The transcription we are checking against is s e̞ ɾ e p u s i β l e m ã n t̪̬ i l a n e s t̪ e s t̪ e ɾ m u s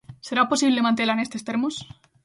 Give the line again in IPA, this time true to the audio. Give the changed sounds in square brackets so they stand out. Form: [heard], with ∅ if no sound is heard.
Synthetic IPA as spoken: s e̞ ɾ [a] p [o] s i β l e m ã n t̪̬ [e] l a n e s t̪ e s t̪ e ɾ m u s